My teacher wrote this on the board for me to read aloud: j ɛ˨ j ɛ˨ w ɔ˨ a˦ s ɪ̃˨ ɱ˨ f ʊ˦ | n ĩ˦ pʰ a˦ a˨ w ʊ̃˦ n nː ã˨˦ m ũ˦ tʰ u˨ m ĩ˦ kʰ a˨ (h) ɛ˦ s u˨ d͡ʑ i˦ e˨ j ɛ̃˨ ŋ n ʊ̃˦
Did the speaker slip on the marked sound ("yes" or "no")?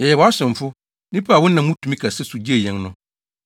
yes